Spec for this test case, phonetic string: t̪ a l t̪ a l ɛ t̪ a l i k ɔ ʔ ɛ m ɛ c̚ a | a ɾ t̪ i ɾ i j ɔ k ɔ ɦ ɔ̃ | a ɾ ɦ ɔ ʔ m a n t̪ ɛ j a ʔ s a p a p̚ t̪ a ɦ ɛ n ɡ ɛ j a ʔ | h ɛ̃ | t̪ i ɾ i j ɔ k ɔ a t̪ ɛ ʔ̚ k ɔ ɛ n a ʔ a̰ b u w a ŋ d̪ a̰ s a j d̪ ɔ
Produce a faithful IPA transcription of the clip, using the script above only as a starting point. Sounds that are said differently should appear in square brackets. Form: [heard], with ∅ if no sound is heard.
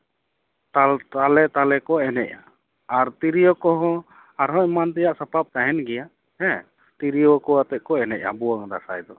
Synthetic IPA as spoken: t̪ a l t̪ a l ɛ t̪ a l [ɛ] k ɔ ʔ ɛ [n] ɛ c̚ a | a ɾ t̪ i ɾ i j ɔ k ɔ ɦ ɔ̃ | a ɾ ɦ ɔ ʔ m a n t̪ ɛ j a ʔ s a p a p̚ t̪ a ɦ ɛ n ɡ ɛ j a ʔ | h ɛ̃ | t̪ i ɾ i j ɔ k ɔ a t̪ ɛ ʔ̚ k ɔ ɛ n [ɛ] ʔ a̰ b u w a ŋ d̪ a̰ s a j d̪ ɔ